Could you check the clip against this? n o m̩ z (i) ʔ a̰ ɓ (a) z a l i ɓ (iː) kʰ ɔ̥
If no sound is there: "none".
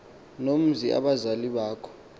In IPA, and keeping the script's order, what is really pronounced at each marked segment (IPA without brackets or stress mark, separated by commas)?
i, a, aː